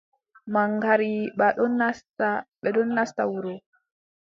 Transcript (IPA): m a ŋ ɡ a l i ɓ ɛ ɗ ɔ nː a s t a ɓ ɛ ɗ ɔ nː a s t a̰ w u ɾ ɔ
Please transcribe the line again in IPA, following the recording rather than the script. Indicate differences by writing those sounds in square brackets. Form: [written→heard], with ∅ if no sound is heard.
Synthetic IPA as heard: m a ŋ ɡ a [l→ɾ] i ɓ [ɛ→a] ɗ ɔ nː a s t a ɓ ɛ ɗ ɔ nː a s t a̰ w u ɾ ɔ